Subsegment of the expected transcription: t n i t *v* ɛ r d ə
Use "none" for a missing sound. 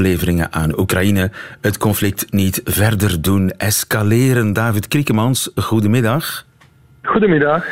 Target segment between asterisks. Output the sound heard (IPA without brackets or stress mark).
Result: v